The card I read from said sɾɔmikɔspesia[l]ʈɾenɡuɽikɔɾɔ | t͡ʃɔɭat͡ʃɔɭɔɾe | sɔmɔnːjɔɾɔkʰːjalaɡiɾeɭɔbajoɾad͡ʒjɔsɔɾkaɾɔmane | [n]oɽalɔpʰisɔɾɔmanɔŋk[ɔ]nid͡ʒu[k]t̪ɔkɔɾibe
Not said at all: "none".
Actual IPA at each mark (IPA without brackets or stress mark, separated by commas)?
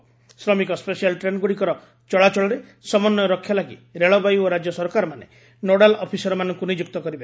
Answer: l, n, u, k